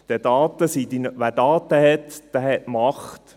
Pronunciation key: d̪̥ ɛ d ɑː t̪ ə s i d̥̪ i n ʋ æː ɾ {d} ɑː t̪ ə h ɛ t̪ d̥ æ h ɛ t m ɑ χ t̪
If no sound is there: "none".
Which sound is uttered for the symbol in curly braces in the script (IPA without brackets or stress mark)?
d